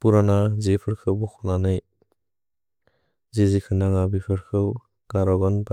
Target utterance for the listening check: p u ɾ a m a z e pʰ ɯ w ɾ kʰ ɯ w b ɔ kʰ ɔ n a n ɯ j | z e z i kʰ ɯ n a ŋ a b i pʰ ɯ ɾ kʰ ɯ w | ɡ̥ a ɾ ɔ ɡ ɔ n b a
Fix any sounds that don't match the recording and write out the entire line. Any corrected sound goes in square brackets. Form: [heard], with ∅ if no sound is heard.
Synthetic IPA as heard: p u ɾ a [n] a z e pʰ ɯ [∅] ɾ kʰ ɯ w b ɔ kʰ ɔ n a n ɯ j | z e z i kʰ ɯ n a ŋ a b i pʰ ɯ ɾ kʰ ɯ w | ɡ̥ a ɾ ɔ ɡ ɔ n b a